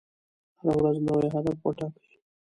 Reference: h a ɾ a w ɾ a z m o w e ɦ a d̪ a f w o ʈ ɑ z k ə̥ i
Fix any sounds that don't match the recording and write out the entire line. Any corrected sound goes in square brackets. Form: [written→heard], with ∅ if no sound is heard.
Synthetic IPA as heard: h a ɾ a w ɾ a z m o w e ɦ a d̪ a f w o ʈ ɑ [z→∅] k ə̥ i